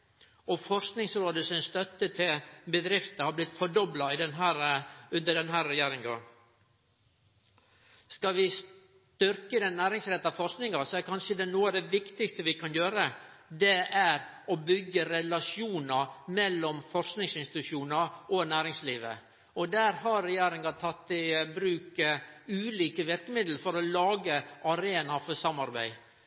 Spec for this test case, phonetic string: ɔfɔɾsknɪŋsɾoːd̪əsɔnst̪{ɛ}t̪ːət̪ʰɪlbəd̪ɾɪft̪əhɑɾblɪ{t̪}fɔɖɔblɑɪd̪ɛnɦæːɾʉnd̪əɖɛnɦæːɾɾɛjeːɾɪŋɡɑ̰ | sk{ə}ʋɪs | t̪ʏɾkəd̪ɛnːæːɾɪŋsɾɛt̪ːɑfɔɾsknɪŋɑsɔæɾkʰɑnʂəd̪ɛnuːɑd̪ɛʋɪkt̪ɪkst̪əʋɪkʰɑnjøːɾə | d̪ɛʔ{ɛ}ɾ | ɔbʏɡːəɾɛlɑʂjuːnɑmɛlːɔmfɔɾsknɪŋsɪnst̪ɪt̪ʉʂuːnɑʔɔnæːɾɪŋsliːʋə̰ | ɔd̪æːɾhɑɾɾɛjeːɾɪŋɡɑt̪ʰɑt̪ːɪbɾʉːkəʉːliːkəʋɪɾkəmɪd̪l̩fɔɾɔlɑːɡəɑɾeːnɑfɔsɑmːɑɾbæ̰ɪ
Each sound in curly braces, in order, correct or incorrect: incorrect, correct, incorrect, incorrect

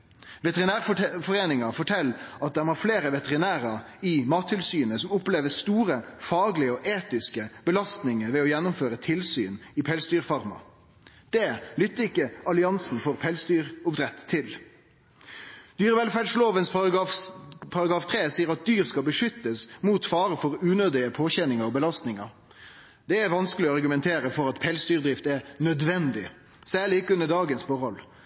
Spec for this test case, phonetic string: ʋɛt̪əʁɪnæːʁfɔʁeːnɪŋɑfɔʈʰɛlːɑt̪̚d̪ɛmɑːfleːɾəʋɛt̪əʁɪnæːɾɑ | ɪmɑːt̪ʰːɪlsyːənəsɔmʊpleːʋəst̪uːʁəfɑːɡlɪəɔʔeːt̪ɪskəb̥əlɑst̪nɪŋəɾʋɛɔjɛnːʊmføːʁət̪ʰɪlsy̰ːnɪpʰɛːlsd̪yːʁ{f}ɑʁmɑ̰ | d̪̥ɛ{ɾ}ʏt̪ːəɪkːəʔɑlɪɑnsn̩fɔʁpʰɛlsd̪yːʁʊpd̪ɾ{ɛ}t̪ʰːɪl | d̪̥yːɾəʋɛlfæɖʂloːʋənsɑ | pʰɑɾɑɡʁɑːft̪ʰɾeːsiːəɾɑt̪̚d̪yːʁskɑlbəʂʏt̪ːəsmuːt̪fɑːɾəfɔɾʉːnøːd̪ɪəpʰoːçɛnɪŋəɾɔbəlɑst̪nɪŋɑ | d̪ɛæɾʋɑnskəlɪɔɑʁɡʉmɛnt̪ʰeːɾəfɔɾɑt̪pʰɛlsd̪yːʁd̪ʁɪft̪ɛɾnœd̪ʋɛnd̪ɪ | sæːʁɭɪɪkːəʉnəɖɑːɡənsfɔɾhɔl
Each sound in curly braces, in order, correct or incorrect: correct, incorrect, correct

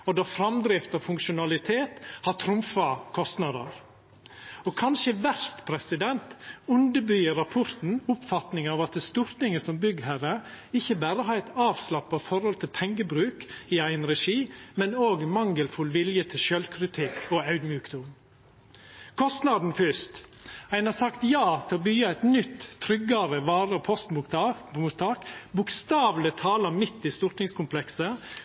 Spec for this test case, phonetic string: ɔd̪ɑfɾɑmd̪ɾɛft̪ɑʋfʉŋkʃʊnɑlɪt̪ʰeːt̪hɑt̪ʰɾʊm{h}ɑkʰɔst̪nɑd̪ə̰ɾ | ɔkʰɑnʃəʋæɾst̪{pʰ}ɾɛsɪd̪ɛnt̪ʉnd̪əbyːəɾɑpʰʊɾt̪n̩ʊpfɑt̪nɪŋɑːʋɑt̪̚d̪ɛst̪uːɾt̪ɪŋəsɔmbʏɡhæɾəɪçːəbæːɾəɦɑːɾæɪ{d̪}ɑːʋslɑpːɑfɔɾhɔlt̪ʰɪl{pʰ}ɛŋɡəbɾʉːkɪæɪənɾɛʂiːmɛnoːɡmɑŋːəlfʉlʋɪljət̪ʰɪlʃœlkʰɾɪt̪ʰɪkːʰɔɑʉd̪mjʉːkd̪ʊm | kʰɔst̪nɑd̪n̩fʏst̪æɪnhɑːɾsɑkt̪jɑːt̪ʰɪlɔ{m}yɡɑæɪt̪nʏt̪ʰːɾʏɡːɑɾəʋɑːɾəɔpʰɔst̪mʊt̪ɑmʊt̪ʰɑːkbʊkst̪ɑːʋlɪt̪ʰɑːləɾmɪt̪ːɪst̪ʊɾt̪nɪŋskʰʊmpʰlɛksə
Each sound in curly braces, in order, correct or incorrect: incorrect, correct, incorrect, correct, incorrect

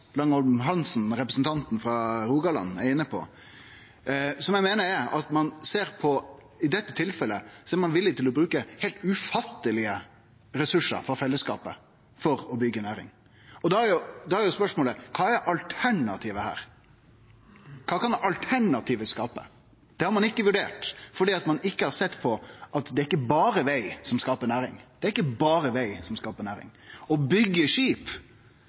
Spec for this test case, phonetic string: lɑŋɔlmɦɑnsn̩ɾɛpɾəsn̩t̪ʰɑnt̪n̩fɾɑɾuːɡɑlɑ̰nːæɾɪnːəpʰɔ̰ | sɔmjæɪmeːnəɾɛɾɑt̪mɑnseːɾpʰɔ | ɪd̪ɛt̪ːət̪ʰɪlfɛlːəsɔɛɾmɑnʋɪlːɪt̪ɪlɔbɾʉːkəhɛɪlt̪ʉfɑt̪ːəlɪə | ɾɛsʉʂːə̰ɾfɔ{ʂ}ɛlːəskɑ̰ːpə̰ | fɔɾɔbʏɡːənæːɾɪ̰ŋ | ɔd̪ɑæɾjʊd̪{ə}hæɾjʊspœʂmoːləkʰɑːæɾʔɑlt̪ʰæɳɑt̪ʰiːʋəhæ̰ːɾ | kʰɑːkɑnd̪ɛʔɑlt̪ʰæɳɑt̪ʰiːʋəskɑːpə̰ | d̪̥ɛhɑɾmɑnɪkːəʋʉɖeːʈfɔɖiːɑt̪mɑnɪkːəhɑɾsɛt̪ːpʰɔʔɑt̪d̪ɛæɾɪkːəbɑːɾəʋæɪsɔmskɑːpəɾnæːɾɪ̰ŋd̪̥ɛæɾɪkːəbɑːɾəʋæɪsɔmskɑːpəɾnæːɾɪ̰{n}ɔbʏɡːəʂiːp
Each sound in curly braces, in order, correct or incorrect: incorrect, incorrect, incorrect

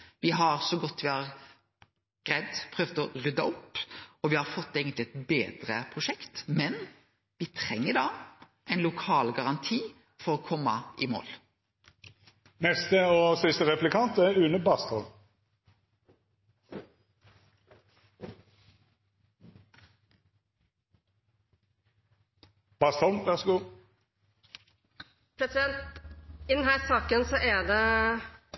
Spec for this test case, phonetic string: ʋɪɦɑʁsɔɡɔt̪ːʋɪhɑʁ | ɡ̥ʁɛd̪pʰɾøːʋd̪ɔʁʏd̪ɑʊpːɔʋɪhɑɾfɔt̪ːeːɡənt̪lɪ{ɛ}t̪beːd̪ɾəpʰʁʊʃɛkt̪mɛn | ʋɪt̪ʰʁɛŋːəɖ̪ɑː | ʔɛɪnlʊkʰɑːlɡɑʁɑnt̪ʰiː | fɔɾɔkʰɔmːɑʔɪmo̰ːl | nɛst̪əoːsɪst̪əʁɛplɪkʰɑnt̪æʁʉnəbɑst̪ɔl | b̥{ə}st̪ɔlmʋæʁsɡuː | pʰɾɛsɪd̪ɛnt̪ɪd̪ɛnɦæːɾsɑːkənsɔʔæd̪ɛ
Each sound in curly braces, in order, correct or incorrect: correct, incorrect

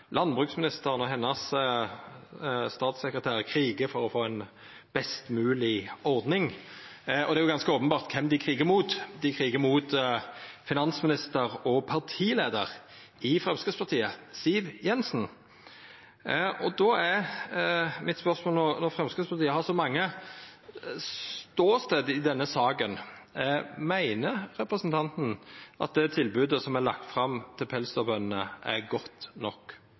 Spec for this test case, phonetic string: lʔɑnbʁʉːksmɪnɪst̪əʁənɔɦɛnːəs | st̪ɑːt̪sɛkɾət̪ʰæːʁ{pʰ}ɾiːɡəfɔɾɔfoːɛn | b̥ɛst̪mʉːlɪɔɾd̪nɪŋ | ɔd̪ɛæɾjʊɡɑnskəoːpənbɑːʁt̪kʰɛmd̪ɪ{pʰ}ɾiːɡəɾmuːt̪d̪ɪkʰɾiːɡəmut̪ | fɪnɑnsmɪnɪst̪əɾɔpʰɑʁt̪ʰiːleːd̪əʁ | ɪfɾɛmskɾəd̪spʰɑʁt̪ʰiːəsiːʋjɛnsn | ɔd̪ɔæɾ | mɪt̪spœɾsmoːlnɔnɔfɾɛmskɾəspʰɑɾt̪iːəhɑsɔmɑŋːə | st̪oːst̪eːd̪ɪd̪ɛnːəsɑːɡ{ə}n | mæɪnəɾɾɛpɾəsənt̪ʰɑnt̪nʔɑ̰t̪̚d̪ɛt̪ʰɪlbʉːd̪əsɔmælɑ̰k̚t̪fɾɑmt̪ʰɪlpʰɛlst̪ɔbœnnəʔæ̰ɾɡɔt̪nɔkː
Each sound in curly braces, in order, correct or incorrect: incorrect, incorrect, correct

